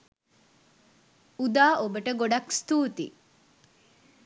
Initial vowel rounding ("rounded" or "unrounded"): rounded